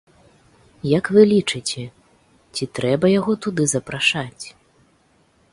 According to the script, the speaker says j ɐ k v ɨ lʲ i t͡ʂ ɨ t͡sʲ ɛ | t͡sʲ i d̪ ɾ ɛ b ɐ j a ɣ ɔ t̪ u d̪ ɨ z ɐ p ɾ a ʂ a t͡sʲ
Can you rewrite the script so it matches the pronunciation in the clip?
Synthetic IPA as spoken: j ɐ k v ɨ lʲ i t͡ʂ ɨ t͡sʲ ɛ | t͡sʲ i t̪ ɾ ɛ b ɐ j a ɣ ɔ t̪ u d̪ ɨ z ɐ p ɾ a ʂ a t͡sʲ

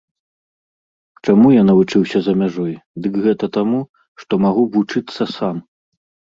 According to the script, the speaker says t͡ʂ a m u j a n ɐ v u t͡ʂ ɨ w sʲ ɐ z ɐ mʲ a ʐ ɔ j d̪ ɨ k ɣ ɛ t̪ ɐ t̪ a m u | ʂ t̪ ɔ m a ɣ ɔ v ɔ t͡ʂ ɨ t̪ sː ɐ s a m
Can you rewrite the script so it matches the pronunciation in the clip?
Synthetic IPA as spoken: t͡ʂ a m u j a n ɐ v u t͡ʂ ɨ w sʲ ɐ z ɐ mʲ a ʐ ɔ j d̪ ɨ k ɣ ɛ t̪ ɐ t̪ a m u | ʂ t̪ ɔ m a ɣ u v u t͡ʂ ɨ t̪ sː ɐ s a m

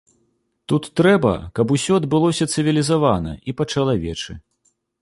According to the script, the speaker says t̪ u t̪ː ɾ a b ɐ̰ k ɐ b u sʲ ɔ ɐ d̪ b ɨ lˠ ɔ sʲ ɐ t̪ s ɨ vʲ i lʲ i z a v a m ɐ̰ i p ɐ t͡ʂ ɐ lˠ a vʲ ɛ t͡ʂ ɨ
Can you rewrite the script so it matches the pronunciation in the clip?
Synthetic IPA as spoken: t̪ u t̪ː ɾ ɛ b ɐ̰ k ɐ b u sʲ ɔ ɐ d̪ b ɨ lˠ ɔ sʲ ɐ t̪ s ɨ vʲ i lʲ i z a v a n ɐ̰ i p ɐ t͡ʂ ɐ lˠ a vʲ ɛ t͡ʂ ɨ

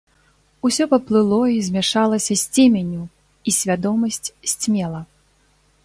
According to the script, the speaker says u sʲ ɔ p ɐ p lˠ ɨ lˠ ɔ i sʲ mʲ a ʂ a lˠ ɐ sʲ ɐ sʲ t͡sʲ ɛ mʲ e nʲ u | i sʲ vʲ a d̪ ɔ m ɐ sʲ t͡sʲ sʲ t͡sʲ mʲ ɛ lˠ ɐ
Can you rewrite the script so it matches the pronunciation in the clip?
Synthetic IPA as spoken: u sʲ ɔ p ɐ p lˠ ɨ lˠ ɔ i zʲ mʲ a ʂ a lˠ ɐ sʲ ɐ sʲ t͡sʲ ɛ mʲ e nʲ u | i sʲ vʲ a d̪ ɔ m ɐ sʲ t͡sʲ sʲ t͡sʲ mʲ ɛ lˠ ɐ

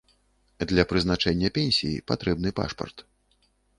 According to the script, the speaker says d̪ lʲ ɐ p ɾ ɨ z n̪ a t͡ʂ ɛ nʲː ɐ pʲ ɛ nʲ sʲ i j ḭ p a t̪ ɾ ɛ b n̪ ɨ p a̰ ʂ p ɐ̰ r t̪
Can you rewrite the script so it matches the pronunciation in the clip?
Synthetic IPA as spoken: d̪ lʲ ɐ p ɾ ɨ z n̪ a t͡ʂ ɛ nʲː ɐ pʲ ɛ nʲ sʲ i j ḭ p a t̪ ɾ ɛ b n̪ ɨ p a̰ ʂ p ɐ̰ r t̪

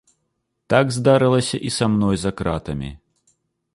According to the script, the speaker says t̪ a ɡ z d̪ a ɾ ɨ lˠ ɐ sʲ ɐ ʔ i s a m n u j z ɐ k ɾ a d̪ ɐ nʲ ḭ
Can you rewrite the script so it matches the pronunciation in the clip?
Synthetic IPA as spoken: t̪ a ɡ z d̪ a ɾ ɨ lˠ ɐ sʲ ɐ ʔ i s a m n ɔ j z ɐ k ɾ a t̪ ɐ mʲ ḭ

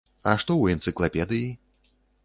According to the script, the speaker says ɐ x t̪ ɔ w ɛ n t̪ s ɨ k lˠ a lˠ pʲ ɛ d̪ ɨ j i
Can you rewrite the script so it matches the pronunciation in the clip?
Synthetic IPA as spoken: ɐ ʂ t̪ ɔ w ɛ n t̪ s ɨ k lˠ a pʲ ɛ d̪ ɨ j i

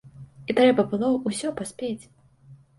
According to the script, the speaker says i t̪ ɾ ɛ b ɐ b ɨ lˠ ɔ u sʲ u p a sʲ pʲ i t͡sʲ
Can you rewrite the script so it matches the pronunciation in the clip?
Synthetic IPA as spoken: i t̪ ɾ ɛ b ɐ b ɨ lˠ ɔ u sʲ ɔ p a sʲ pʲ e t͡sʲ

